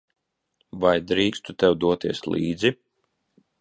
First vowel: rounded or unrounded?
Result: unrounded